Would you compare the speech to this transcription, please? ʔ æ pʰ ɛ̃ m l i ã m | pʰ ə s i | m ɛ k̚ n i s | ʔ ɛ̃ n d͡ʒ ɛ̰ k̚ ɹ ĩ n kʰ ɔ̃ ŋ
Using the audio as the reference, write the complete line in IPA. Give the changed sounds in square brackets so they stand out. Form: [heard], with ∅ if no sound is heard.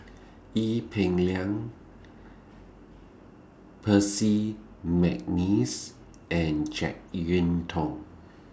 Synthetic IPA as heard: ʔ [i] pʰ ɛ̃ [ŋ] l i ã [ŋ] | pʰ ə s i | m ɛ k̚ n i s | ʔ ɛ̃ n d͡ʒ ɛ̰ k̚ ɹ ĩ n [tʰ] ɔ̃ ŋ